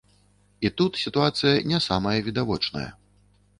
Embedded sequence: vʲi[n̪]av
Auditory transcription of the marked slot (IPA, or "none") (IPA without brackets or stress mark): d̪